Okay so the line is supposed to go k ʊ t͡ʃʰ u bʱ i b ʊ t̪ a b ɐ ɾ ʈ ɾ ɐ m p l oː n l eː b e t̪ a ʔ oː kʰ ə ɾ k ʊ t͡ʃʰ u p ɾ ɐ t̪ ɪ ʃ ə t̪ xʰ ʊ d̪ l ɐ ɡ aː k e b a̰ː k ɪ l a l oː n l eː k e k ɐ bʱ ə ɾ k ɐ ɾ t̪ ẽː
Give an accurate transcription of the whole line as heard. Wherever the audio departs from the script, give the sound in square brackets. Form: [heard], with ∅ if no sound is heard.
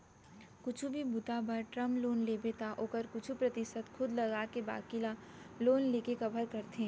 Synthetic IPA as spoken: k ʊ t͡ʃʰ u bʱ i b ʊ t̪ a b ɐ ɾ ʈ ɾ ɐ m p l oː n l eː b e t̪ a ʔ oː [k] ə ɾ k ʊ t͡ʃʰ u p ɾ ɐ t̪ ɪ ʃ ə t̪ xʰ ʊ d̪ l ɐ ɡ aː k e b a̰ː k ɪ l a l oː n l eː k e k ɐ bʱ ə ɾ k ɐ ɾ t̪ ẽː

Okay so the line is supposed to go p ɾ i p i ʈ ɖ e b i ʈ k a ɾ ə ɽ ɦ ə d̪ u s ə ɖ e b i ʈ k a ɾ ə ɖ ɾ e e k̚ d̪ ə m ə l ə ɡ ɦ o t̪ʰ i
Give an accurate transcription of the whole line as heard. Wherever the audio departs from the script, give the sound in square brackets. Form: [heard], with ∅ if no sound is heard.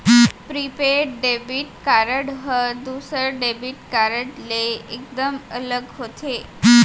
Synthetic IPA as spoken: p ɾ i p [e] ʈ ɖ e b i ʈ k a ɾ ə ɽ ɦ ə d̪ u s ə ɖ e b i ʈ k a ɾ ə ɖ [l] e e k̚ d̪ ə m ə l ə ɡ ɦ o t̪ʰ [e]

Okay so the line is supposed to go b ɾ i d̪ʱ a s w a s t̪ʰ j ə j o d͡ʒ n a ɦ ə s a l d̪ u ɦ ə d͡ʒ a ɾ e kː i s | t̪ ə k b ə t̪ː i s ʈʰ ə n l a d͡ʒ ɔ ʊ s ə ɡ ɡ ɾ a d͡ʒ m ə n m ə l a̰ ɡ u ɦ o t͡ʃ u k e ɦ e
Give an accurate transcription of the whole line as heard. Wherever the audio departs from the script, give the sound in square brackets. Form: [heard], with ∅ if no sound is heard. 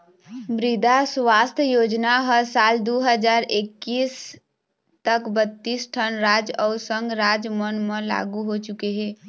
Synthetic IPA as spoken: b ɾ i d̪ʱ a s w a s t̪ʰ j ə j o d͡ʒ n a ɦ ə s a l d̪ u ɦ ə d͡ʒ a ɾ e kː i s | t̪ ə k b ə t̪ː i s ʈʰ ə n [ɾ] a d͡ʒ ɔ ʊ s ə [ŋ] ɡ ɾ a d͡ʒ m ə n m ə l a̰ ɡ u ɦ o t͡ʃ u k e ɦ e

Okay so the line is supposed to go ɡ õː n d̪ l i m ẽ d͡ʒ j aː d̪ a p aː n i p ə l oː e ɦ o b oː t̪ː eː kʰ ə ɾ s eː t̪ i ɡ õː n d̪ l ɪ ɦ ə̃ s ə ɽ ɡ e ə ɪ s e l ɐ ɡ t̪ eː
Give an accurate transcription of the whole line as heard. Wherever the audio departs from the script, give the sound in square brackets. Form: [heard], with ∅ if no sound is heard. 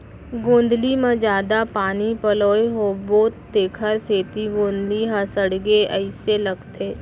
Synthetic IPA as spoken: ɡ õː n d̪ l i m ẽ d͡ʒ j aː d̪ a p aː n i p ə l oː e ɦ o b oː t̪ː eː kʰ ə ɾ s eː t̪ i ɡ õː n d̪ l [i] ɦ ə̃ s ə ɽ ɡ e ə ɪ s e l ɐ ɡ t̪ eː

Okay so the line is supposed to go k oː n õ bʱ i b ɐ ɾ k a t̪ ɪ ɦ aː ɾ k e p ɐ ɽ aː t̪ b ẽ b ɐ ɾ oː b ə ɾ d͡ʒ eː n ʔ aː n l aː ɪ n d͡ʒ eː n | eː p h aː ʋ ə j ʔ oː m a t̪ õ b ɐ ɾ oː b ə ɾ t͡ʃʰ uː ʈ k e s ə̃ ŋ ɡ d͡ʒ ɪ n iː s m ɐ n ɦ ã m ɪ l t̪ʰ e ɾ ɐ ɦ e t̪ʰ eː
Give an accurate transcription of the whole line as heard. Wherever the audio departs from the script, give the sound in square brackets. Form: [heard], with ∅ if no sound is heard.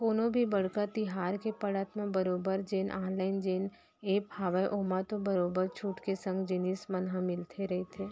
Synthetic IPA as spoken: k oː n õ bʱ i b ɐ [ɽ] k a t̪ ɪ ɦ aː ɾ k e p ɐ ɽ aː t̪ [m] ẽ b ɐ ɾ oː b ə ɾ d͡ʒ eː n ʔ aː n l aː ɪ n d͡ʒ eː n | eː p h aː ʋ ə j ʔ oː m a t̪ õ b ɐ ɾ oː b ə ɾ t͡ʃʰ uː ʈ k e s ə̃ ŋ ɡ d͡ʒ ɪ n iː s m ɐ n ɦ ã m ɪ l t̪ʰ e ɾ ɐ ɦ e t̪ʰ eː

